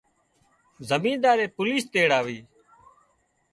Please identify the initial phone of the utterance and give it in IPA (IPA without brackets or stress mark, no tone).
z